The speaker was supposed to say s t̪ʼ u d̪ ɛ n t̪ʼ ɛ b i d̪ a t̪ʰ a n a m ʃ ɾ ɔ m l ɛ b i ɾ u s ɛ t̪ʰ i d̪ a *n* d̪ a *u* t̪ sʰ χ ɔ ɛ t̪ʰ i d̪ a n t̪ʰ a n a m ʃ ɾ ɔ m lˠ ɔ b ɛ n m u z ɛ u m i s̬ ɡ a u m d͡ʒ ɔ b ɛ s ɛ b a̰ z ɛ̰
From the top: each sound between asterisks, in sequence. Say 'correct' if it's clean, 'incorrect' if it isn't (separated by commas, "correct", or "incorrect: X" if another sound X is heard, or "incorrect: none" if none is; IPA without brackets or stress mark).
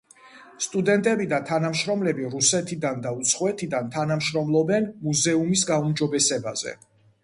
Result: correct, correct